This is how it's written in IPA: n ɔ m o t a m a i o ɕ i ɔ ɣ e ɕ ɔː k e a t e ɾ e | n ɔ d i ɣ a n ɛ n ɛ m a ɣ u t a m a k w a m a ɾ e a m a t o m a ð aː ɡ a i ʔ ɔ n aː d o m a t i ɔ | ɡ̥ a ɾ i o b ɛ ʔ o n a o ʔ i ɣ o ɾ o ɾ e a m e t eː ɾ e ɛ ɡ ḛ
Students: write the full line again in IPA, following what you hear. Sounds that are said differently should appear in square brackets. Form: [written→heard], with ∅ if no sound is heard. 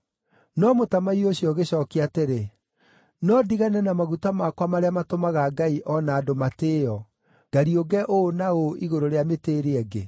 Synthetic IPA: n ɔ m o t a m a i o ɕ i ɔ ɣ e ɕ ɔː k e a t e ɾ e | n ɔ d i ɣ a n ɛ n [ɛ→a] m a ɣ u t a m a k w a m a ɾ e a m a t o m a [ð→ɣ] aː ɡ a i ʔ ɔ n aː d o m a t [i→e] ɔ | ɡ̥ a ɾ i o [b→ɡ] ɛ ʔ o n a o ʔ i ɣ o ɾ o ɾ e a m e t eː ɾ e ɛ ɡ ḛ